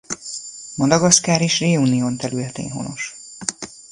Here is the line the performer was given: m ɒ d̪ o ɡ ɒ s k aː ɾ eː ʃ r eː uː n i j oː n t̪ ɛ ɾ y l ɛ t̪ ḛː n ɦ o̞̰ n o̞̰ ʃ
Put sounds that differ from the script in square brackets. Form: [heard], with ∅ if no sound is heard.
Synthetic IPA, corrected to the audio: m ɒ d̪ [ɒ] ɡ ɒ s k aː ɾ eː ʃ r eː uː n i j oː n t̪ ɛ ɾ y l ɛ t̪ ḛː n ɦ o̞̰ n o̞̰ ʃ